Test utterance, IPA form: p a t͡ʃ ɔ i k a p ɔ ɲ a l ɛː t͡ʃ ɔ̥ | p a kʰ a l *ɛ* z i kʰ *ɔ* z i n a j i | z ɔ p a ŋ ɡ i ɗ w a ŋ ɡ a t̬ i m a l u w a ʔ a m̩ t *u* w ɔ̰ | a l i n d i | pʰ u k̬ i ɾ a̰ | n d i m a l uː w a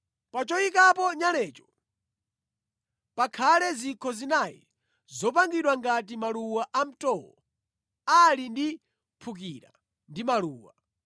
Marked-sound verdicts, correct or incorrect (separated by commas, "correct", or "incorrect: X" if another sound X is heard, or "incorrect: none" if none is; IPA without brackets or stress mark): correct, correct, incorrect: ɔ